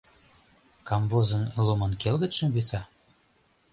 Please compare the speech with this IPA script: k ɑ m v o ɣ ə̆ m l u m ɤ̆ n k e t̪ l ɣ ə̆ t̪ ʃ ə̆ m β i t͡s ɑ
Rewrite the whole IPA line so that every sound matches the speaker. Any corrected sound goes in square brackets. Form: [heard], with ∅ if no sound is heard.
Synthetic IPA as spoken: k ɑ m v o [z] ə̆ [n] l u m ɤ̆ n k e [∅] l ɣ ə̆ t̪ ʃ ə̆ m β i t͡s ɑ